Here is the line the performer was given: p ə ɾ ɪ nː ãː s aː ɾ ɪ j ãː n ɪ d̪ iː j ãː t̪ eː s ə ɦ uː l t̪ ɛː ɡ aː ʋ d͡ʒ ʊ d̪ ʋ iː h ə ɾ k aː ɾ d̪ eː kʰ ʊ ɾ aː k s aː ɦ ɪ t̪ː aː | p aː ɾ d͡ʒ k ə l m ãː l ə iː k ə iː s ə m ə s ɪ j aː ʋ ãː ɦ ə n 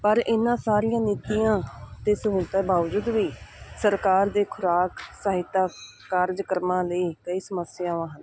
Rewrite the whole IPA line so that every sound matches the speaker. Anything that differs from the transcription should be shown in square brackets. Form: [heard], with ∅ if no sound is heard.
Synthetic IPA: p ə ɾ ɪ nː ãː s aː ɾ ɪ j ãː n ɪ [t̪] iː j ãː t̪ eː s ə ɦ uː l t̪ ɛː [b] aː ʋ d͡ʒ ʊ d̪ ʋ iː [s] ə ɾ k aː ɾ d̪ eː kʰ ʊ ɾ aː k s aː ɦ ɪ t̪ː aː | [k] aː ɾ d͡ʒ k ə [ɾ] m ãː l ə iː k ə iː s ə m ə s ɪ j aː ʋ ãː ɦ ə n